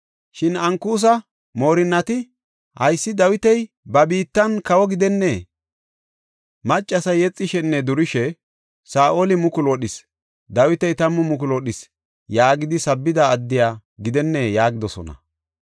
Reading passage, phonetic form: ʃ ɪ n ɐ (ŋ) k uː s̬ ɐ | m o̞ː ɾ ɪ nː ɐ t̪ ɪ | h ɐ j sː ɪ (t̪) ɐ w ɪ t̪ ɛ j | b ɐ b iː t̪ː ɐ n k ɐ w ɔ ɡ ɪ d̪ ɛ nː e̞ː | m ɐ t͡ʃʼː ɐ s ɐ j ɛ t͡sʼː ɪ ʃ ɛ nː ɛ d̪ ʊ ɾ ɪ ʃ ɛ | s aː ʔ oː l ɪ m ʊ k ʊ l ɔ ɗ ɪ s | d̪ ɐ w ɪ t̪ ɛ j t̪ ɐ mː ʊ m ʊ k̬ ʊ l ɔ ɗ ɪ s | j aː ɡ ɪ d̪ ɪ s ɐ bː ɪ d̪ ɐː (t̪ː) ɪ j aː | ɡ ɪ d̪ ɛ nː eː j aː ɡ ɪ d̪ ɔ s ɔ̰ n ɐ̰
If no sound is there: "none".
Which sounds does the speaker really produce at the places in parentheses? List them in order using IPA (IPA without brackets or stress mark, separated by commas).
ŋ, d̪, d̪ː